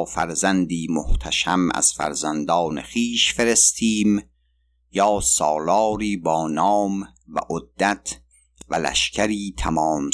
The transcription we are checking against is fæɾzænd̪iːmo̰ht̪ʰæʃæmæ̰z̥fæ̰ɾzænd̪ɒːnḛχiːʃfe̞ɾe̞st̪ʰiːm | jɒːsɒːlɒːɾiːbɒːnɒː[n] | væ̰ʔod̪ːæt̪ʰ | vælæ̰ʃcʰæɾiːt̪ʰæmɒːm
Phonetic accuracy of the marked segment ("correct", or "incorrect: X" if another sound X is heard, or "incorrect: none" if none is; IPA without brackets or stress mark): incorrect: m